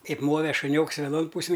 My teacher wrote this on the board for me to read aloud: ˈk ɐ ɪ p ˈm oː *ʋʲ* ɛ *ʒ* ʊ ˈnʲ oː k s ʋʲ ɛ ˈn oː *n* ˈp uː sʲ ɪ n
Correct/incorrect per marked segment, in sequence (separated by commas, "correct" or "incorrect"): correct, incorrect, correct